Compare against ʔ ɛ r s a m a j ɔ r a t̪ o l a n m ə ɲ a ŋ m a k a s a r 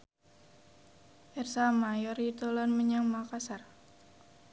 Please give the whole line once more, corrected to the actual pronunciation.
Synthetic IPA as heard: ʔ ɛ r s a m a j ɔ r i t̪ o l a n m ə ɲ a ŋ m a k a s a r